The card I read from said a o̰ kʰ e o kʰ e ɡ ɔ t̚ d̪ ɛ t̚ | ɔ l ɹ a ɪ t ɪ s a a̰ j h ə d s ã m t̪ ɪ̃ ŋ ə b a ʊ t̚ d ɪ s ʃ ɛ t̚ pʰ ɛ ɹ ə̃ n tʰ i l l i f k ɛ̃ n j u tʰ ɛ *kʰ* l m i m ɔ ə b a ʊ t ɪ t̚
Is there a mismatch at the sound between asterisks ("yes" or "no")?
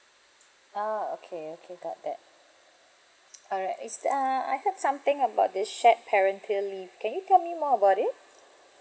yes